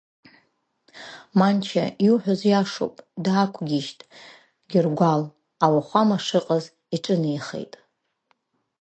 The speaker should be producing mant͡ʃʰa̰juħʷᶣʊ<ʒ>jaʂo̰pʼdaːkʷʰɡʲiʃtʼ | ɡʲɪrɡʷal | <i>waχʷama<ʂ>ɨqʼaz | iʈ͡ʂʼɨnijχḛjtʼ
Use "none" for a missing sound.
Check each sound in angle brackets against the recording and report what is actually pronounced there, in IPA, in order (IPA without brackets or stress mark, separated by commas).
z, a, ʂ